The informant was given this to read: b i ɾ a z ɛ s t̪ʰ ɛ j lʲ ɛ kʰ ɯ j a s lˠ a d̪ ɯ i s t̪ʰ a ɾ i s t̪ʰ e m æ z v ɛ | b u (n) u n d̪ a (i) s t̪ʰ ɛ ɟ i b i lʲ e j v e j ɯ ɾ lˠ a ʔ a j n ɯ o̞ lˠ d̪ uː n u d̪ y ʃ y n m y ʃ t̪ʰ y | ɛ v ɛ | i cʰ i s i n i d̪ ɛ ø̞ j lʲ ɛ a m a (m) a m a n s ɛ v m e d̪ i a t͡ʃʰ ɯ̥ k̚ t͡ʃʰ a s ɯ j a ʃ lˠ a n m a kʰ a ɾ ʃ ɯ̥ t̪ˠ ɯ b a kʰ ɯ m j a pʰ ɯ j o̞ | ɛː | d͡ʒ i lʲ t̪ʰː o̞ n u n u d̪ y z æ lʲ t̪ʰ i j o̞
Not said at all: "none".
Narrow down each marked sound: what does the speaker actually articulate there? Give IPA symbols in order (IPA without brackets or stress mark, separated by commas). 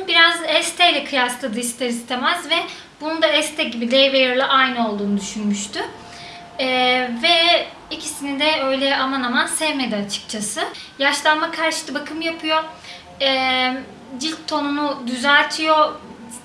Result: n, ɛ, n